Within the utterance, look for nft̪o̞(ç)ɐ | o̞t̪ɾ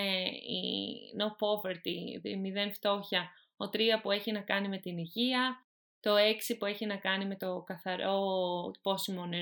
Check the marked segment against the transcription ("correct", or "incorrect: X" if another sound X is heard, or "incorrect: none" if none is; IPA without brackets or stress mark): correct